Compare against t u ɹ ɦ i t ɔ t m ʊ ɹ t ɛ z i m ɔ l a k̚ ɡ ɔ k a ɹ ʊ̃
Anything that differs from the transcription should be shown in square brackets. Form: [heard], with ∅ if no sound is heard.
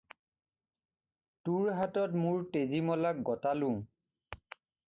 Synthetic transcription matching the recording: t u ɹ ɦ [a] t ɔ t m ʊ ɹ t [e] z i m ɔ l a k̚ ɡ ɔ [t] a [l] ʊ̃